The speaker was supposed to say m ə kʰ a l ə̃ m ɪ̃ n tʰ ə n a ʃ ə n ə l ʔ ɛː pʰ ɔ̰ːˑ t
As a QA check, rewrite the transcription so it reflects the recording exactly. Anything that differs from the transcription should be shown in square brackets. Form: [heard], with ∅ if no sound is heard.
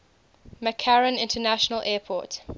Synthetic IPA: m ə kʰ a [ɹ] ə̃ [n] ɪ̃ n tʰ ə n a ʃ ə n ə l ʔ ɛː pʰ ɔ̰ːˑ t